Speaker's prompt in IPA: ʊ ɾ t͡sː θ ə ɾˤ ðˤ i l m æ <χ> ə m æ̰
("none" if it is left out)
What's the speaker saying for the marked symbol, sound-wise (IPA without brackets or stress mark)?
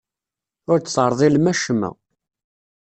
ʃ